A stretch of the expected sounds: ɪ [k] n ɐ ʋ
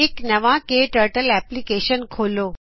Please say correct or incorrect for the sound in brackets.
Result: correct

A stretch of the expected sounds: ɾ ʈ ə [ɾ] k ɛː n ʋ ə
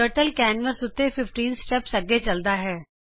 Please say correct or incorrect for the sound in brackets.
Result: incorrect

